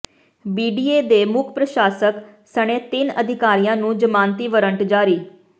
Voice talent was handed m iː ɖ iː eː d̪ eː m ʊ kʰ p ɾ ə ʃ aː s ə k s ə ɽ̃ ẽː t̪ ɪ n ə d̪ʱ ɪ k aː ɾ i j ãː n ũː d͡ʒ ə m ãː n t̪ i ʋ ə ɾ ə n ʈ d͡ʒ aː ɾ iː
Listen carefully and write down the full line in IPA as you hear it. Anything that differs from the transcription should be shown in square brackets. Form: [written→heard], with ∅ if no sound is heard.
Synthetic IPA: [m→b] iː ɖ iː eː d̪ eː m ʊ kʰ p ɾ ə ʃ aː s ə k s ə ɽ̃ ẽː t̪ ɪ n ə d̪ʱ ɪ k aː ɾ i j ãː n ũː d͡ʒ ə m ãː n t̪ [i→iː] ʋ ə ɾ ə [n→ɳ] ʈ d͡ʒ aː ɾ iː